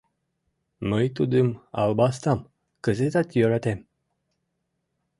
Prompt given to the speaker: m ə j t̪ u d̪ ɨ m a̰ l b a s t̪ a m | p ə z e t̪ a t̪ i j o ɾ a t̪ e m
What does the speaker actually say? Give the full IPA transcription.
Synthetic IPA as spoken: m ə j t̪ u d̪ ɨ m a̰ l b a s t̪ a m | k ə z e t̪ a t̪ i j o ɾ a t̪ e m